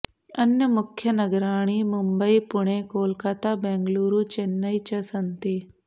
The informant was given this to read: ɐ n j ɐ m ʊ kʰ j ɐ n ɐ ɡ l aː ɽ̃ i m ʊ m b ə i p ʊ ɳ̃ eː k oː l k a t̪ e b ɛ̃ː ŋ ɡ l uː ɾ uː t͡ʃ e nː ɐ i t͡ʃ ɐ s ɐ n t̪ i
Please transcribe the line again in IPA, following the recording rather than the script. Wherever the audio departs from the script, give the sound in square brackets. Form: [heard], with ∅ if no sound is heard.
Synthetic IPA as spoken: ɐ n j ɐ m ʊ kʰ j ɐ n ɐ ɡ [ɾ] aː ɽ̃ i m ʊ m b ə i p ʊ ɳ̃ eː k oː l k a t̪ [a] b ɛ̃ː ŋ ɡ l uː ɾ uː t͡ʃ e nː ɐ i t͡ʃ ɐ s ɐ n t̪ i